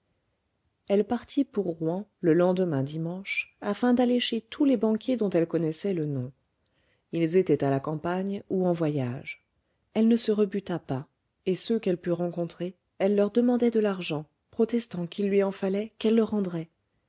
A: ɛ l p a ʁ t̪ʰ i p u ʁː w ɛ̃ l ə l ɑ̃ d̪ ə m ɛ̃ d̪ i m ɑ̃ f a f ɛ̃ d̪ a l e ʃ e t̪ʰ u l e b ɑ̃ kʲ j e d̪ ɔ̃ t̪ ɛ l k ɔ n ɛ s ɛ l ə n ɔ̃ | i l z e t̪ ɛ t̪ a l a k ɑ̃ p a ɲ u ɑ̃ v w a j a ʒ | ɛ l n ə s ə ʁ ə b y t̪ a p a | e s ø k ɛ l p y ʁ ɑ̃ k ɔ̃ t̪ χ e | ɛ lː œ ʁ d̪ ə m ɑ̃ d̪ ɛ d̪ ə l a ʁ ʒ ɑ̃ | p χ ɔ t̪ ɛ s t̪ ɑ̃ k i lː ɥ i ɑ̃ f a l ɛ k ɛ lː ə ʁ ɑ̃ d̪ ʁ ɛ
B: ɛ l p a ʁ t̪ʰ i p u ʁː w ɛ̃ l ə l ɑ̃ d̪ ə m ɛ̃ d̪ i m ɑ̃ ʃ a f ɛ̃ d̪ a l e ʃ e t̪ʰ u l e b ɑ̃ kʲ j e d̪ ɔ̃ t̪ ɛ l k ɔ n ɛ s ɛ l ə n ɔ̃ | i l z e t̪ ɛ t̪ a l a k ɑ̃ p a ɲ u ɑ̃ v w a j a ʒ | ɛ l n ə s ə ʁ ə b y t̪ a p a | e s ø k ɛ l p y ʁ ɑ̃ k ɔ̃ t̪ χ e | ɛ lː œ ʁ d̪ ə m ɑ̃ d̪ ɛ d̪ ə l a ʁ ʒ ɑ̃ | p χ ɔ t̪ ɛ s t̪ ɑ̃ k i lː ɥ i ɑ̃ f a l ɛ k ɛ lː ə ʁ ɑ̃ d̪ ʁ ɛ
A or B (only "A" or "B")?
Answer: B